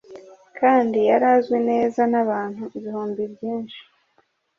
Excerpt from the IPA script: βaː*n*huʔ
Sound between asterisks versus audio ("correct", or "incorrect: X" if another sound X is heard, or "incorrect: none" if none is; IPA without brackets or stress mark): correct